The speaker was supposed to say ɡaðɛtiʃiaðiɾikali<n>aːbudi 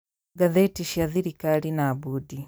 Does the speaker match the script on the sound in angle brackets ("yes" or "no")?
yes